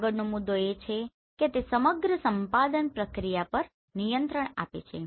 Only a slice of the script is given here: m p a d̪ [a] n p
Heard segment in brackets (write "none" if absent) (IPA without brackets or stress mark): ə